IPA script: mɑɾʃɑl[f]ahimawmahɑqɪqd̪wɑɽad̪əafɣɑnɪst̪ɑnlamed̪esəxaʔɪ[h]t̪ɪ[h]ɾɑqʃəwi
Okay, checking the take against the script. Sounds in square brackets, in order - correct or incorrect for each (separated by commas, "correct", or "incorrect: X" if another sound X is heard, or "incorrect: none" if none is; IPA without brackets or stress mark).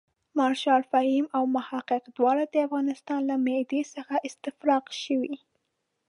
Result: correct, incorrect: s, incorrect: f